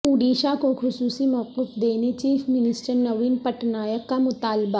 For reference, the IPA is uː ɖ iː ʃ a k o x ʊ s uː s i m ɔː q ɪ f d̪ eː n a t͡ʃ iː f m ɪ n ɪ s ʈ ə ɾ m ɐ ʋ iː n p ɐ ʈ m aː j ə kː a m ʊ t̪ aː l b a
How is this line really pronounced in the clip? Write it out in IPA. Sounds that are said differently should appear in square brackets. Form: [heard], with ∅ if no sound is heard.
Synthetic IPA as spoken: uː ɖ iː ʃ a k o x ʊ s uː s i m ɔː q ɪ f d̪ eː n [e] t͡ʃ iː f m ɪ n ɪ s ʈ ə ɾ [n] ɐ ʋ iː n p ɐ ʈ [n] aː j ə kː a m ʊ t̪ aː l b a